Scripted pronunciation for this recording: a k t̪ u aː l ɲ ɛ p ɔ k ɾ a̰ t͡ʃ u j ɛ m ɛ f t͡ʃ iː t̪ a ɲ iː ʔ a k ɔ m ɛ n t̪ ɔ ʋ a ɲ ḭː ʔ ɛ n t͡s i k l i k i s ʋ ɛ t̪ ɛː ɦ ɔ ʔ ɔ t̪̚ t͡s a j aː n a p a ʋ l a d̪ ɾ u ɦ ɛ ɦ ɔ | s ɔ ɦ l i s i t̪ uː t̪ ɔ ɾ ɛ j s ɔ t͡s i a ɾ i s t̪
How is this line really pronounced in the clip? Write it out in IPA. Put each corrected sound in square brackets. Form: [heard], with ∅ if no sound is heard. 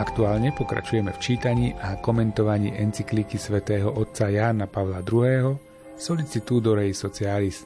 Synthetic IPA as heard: a k t̪ u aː l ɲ ɛ p ɔ k ɾ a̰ t͡ʃ u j ɛ m ɛ f t͡ʃ iː t̪ a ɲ iː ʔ a k ɔ m ɛ n t̪ ɔ ʋ a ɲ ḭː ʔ ɛ n t͡s i k l i k i s ʋ ɛ t̪ ɛː ɦ ɔ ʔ ɔ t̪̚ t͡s a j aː n a p a ʋ l a d̪ ɾ u ɦ [ɛː] ɦ ɔ | s ɔ [∅] l i [t͡s] i t̪ uː [d̪] ɔ ɾ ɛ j s ɔ t͡s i a [l] i s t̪